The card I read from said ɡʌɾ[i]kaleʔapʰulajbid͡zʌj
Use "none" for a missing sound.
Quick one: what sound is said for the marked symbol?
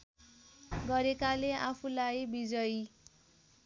e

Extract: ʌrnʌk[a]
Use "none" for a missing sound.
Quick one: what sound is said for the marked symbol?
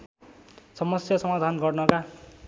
a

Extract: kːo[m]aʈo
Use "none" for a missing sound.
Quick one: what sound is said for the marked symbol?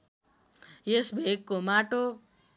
m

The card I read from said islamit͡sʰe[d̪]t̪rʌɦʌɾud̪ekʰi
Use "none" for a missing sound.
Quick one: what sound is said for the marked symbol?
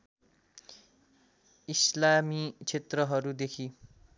none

